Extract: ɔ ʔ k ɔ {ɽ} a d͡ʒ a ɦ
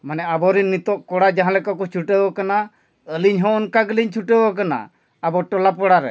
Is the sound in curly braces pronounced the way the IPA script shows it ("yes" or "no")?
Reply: yes